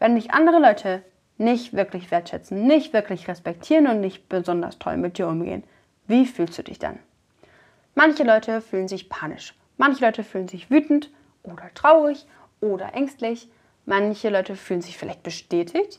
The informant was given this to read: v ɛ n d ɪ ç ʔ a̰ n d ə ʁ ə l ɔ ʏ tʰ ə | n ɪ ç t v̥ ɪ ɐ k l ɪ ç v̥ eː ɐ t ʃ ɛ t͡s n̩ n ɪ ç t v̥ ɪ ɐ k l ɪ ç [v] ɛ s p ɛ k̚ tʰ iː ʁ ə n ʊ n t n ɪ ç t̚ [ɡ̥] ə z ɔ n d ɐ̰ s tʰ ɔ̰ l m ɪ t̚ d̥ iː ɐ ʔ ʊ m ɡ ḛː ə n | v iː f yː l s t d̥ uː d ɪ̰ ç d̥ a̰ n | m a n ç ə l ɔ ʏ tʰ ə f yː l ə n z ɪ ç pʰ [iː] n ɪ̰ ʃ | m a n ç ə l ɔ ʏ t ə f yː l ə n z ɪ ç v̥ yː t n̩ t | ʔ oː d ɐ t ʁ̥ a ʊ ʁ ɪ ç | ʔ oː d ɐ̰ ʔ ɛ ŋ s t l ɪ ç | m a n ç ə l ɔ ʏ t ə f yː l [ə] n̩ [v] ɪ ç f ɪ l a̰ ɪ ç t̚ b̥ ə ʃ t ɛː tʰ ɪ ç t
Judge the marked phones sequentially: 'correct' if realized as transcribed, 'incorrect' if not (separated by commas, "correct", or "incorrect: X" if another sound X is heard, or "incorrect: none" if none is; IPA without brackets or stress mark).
incorrect: ʁ, incorrect: b̥, incorrect: aː, correct, incorrect: z